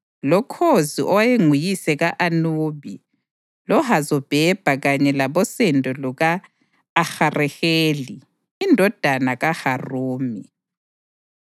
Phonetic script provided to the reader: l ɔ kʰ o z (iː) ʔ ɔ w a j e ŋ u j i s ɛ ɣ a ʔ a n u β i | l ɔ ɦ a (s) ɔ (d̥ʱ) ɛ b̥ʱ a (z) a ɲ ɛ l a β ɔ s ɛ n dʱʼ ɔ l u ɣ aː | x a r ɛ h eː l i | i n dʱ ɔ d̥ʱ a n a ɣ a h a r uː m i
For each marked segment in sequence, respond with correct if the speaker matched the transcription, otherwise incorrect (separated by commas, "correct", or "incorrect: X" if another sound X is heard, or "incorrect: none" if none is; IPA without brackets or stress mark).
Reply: incorrect: i, incorrect: z, incorrect: b̥ʱ, incorrect: ɣ